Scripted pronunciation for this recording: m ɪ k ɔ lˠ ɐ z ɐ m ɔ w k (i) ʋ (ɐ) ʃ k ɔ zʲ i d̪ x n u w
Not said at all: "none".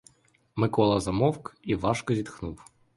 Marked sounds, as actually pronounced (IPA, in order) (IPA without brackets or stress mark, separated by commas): i, ɑ